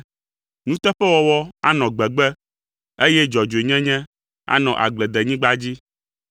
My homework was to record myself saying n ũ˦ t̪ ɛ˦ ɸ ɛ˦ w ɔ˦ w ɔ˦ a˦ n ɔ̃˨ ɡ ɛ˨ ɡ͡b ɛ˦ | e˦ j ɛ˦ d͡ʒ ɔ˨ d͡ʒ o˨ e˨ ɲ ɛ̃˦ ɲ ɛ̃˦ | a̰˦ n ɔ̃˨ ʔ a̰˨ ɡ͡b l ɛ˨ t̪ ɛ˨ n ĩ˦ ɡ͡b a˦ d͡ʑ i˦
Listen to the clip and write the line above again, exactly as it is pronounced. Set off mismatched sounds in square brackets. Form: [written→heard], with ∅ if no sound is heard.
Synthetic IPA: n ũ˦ t̪ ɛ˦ ɸ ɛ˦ w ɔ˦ w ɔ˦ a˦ n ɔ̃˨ [ɡ→ɡ͡b] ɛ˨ ɡ͡b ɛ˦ | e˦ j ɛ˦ d͡ʒ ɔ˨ d͡ʒ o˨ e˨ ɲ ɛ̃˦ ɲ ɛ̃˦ | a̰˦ n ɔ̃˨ ʔ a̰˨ ɡ͡b l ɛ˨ [t̪→d̪] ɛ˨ [n→ɲ] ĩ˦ ɡ͡b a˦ d͡ʑ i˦